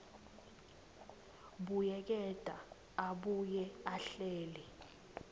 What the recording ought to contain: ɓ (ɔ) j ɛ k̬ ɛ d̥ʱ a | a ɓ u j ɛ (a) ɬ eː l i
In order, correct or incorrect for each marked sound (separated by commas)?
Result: incorrect, correct